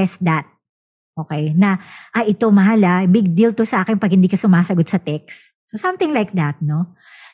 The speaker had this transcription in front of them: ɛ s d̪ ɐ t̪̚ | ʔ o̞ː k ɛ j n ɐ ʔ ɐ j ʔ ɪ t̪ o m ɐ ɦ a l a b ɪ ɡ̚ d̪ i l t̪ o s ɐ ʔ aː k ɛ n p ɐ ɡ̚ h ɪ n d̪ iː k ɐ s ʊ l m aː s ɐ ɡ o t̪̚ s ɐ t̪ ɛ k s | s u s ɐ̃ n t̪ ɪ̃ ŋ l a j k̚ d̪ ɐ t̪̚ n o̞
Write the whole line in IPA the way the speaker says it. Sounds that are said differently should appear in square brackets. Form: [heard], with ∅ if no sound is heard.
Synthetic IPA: ɛ s d̪ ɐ t̪̚ | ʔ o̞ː k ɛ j n ɐ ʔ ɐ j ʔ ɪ t̪ o m ɐ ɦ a l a b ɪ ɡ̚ d̪ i l t̪ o s ɐ ʔ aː k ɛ n p ɐ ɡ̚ h ɪ n d̪ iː k ɐ s ʊ [∅] m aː s ɐ ɡ o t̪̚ s ɐ t̪ ɛ k s | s [o] s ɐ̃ [m] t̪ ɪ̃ ŋ l a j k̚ d̪ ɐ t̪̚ n o̞